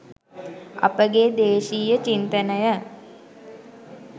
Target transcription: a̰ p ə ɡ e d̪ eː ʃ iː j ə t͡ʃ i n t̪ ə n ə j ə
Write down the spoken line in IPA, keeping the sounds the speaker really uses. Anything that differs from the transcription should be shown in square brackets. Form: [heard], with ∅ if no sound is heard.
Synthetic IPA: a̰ p ə ɡ e d̪ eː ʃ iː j ə t͡ʃ i n t̪ ə n ə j ə